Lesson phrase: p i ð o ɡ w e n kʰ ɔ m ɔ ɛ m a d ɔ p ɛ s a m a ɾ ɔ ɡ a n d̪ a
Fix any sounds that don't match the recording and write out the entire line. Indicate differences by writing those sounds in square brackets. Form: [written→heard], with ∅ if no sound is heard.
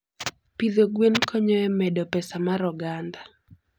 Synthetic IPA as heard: p i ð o ɡ w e n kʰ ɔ [m→ɲ] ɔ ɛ m [a→ɛ] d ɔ p ɛ s a m a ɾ ɔ ɡ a n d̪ a